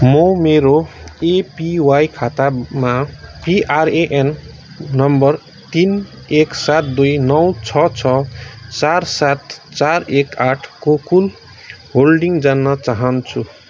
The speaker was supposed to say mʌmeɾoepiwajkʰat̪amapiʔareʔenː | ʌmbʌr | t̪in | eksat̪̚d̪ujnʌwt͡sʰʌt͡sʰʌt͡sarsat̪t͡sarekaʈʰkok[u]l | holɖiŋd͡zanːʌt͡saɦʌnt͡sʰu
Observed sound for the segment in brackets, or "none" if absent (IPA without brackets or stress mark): u